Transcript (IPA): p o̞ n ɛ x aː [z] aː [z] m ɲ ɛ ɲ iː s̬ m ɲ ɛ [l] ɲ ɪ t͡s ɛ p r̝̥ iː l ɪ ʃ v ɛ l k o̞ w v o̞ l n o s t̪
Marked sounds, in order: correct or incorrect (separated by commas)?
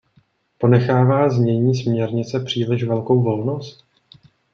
incorrect, correct, incorrect